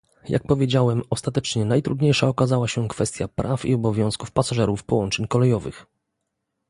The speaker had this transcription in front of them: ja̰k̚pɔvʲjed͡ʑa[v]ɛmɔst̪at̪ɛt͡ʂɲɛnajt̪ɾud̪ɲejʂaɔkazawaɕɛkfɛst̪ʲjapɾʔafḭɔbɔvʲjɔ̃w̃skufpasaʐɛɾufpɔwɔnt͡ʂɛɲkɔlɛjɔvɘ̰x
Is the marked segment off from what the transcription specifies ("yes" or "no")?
yes